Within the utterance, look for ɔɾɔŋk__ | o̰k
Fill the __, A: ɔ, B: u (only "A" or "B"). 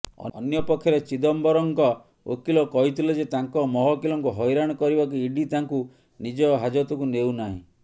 A